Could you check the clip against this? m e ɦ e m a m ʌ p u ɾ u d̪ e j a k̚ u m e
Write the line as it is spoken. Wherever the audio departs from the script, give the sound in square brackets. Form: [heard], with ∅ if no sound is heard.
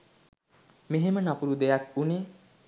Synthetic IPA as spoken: m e ɦ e m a [n] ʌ p u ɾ u d̪ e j a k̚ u [n] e

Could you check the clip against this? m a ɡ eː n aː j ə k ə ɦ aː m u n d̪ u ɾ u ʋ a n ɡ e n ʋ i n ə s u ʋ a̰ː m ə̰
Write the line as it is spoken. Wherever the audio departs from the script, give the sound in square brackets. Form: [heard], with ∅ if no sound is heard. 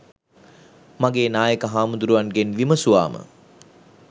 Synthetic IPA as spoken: m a ɡ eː n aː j ə k ə ɦ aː m u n d̪ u ɾ u ʋ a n ɡ e n ʋ i [m] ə s u ʋ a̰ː m ə̰

